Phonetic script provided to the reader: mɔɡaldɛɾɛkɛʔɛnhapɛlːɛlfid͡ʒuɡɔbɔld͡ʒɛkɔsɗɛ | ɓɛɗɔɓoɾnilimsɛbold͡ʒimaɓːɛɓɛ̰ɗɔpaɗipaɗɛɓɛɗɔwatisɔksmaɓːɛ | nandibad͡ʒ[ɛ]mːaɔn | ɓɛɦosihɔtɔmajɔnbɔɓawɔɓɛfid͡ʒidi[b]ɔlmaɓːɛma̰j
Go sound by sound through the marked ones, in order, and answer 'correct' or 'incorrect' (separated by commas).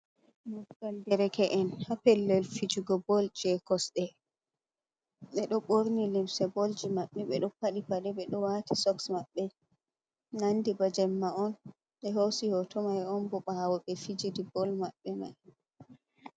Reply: correct, correct